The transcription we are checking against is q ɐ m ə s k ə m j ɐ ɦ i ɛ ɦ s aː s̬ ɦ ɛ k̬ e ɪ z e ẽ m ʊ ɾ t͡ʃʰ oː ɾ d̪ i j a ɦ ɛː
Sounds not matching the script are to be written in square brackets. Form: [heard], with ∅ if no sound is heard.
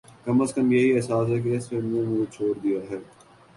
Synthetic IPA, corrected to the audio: [k] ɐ m ə s k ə m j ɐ ɦ i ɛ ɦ s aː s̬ ɦ ɛ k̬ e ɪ [s] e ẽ m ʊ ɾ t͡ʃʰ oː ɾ d̪ i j a ɦ ɛː

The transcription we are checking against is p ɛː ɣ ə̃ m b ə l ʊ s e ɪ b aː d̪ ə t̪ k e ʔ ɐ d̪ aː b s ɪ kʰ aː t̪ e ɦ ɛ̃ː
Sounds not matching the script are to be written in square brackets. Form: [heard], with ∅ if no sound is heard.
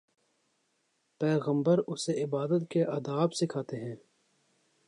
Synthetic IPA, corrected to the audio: p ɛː ɣ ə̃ m b ə [ɾ] ʊ s e ɪ b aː d̪ ə t̪ k e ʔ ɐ d̪ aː b s ɪ kʰ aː t̪ e ɦ ɛ̃ː

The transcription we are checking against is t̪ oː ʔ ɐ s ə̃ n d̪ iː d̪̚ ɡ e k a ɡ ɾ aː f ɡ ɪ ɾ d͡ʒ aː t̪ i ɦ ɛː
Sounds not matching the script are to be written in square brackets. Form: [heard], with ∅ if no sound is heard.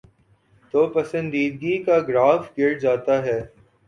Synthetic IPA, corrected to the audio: t̪ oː [p] ɐ s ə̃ n d̪ iː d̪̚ ɡ [i] k a ɡ ɾ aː f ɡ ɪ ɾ d͡ʒ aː t̪ [a] ɦ ɛː

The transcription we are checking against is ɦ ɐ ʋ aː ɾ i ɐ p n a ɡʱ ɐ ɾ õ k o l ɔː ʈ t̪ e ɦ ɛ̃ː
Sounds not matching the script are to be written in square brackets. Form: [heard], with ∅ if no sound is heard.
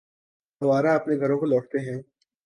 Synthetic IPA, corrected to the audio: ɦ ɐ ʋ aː ɾ [a] ɐ p n [e] ɡʱ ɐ ɾ õ k o l ɔː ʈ t̪ e ɦ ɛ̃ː

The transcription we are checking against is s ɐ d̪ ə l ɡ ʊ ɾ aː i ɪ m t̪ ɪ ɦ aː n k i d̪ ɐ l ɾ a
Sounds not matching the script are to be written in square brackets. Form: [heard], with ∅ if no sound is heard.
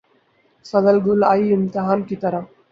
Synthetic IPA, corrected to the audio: s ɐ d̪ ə l ɡ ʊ [l] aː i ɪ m t̪ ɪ ɦ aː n k i [t̪] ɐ [∅] ɾ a

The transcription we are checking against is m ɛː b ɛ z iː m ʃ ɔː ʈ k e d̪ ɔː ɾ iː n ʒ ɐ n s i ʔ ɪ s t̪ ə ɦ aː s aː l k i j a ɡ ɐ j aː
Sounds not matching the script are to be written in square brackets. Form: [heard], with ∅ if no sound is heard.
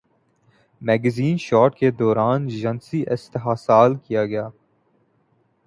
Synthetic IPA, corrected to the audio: m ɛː [ɡ] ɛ z iː [n] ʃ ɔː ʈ k e d̪ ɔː ɾ [aː] n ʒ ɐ n s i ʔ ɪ s t̪ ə ɦ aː s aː l k i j a ɡ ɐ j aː

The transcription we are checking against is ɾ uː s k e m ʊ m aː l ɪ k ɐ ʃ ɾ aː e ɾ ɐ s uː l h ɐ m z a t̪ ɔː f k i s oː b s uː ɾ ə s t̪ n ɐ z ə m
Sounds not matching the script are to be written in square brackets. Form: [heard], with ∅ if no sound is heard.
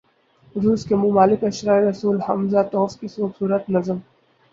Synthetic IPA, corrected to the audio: ɾ uː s k e m ʊ m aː l ɪ k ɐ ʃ ɾ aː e ɾ ɐ s uː l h ɐ m z a t̪ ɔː f k i s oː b s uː ɾ ə [∅] t̪ n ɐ z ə m

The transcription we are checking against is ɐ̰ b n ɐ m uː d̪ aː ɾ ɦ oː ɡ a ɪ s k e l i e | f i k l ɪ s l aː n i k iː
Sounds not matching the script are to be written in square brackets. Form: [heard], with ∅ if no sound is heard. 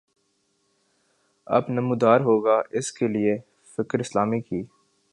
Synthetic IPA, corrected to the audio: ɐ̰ b n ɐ m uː d̪ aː ɾ ɦ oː ɡ a ɪ s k e l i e | f [ɪ] k [ɾ] ɪ s l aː [m] i k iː

